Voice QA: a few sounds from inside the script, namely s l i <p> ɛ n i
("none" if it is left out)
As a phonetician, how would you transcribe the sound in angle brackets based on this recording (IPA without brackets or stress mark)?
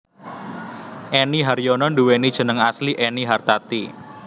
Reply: ʔ